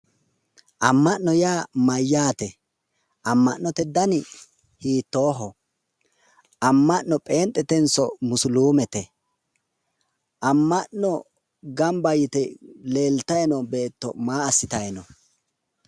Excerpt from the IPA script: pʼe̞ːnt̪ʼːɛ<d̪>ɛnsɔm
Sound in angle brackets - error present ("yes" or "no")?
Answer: yes